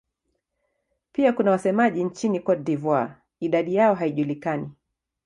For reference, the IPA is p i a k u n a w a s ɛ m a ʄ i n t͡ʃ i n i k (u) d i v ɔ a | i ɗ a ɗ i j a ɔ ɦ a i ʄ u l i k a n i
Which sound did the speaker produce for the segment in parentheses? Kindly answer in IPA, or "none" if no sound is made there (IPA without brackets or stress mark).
ɔ